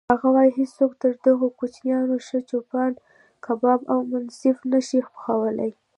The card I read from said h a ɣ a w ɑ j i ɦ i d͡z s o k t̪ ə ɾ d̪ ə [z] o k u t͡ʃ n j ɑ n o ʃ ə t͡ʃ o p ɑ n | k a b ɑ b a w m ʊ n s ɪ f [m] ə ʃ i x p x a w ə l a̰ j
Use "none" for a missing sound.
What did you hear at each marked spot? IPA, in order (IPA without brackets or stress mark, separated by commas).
ɣ, n